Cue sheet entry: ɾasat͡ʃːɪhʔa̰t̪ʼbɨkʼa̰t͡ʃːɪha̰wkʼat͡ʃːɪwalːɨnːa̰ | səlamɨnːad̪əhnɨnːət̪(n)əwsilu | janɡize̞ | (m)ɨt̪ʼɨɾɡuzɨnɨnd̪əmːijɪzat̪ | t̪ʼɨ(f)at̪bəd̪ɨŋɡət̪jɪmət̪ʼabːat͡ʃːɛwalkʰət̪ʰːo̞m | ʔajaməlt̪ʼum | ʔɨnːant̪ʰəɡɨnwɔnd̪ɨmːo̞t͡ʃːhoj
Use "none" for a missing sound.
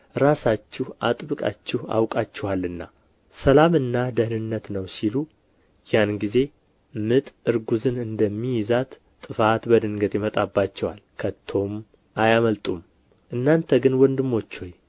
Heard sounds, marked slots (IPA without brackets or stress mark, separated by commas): n, m, f